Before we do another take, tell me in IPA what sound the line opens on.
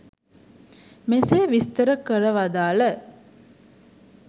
m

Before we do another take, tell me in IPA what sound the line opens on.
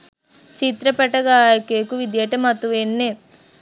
t͡ʃ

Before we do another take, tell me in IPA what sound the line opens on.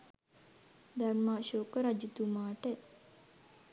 d̪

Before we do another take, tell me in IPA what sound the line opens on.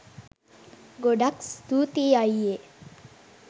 ɡ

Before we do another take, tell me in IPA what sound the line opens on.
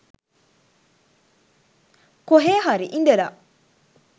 k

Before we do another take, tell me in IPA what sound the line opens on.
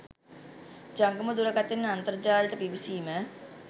d͡ʒ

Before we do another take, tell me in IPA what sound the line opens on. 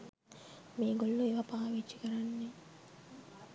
m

